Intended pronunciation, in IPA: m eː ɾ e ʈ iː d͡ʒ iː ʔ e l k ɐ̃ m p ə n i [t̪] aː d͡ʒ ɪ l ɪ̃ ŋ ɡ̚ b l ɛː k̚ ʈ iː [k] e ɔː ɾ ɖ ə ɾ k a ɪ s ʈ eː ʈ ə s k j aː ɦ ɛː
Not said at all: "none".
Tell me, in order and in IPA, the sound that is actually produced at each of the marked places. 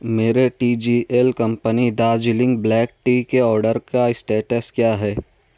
d̪, k

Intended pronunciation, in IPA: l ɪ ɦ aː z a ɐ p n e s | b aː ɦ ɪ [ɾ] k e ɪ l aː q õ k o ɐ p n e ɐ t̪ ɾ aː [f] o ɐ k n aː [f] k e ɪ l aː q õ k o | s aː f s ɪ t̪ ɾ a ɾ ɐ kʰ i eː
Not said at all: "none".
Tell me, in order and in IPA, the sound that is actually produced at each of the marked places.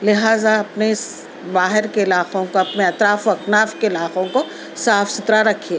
ɾ, f, f

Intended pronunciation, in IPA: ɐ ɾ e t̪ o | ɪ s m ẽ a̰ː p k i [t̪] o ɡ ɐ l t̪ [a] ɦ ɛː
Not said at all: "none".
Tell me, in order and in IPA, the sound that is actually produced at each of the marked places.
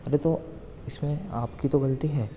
t̪, i

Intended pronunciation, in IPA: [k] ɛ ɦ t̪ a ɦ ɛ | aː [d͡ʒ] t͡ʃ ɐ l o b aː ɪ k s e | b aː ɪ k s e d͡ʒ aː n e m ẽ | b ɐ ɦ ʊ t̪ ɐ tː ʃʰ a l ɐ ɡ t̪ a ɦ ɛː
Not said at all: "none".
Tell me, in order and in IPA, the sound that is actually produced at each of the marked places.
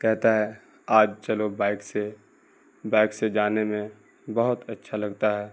k, d͡ʒ

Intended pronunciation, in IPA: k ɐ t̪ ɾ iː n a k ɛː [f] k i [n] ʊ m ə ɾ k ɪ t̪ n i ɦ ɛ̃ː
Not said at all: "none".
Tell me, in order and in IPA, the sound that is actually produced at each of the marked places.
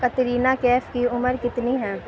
f, none

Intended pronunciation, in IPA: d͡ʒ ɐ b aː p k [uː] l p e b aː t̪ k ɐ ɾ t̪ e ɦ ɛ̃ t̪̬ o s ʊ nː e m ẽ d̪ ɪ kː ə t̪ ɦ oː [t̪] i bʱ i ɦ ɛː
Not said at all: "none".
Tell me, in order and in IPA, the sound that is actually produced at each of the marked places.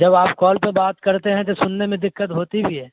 ɔː, t̪

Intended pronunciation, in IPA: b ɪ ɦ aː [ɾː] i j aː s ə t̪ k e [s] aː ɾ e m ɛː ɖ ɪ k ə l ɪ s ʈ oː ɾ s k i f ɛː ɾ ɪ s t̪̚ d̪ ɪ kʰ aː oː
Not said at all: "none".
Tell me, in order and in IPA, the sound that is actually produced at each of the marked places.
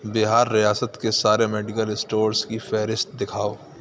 ɾː, s

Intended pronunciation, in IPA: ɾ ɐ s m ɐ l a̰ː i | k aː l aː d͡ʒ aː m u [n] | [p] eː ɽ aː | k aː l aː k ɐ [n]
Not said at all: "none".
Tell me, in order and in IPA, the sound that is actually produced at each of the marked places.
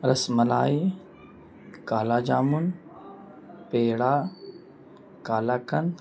n, p, n

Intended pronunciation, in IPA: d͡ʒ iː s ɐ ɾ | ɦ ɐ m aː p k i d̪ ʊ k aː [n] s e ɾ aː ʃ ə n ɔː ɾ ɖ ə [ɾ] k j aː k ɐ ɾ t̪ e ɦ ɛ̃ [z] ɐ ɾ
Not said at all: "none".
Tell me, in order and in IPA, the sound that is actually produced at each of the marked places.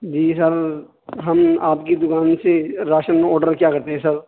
n, ɾ, s

